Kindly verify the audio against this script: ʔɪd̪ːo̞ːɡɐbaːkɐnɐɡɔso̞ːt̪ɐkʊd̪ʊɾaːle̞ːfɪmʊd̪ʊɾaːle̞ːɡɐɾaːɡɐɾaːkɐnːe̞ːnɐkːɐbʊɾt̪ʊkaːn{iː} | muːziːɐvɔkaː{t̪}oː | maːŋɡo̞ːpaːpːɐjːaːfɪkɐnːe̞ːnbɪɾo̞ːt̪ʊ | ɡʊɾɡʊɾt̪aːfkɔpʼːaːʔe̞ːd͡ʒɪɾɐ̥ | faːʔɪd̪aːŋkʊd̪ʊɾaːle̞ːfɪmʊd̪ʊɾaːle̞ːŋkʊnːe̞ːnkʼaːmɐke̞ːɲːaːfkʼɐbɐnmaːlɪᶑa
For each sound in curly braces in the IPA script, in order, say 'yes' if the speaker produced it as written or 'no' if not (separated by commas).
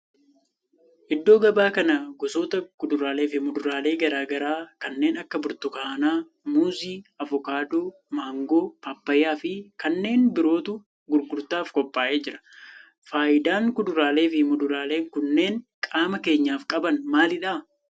no, no